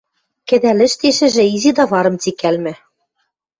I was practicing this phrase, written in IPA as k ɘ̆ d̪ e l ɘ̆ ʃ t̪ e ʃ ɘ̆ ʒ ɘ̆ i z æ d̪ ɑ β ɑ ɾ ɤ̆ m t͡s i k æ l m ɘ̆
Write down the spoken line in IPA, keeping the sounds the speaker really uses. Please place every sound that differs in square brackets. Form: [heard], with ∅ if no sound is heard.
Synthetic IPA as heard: k ɘ̆ d̪ [æ] l ɘ̆ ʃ t̪ e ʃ ɘ̆ ʒ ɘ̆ i z [i] d̪ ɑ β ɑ ɾ ɤ̆ m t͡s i k æ l m ɘ̆